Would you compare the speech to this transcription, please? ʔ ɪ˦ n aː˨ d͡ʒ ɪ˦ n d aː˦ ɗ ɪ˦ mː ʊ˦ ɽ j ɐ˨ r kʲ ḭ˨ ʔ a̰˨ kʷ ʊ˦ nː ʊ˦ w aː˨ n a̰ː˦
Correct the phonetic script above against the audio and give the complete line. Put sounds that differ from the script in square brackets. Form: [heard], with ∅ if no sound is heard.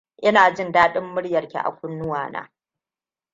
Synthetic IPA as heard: ʔ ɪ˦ n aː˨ d͡ʒ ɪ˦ n d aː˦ ɗ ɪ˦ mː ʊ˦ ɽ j ɐ˨ r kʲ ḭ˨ ʔ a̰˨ kʷ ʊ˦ nː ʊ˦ w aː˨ n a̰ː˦